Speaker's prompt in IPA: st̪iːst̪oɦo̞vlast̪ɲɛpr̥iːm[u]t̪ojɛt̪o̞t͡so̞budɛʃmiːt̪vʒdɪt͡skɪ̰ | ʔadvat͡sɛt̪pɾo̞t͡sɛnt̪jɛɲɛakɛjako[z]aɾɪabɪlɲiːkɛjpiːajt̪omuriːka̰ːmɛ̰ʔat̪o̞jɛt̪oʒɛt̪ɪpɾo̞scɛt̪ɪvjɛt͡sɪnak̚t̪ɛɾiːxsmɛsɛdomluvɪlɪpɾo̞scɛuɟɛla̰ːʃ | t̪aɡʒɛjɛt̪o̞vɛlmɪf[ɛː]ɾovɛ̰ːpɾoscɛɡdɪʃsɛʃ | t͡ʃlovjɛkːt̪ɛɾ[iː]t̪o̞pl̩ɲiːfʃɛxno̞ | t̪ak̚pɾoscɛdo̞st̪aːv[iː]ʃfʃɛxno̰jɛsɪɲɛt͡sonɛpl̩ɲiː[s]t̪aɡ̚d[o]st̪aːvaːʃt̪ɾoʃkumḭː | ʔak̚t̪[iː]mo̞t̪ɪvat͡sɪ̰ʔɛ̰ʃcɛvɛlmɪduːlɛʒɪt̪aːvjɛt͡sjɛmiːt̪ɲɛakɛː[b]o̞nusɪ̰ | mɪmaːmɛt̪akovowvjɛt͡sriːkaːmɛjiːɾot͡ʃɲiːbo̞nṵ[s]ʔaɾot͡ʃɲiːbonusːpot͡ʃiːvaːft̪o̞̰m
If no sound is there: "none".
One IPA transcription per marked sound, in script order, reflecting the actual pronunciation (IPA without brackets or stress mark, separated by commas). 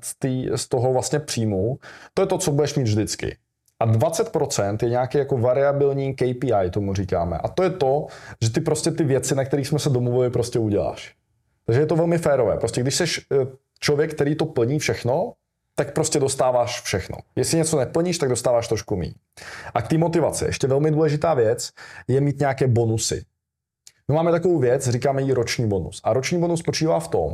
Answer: u, v, ɛː, iː, aː, ʃ, o, iː, b, s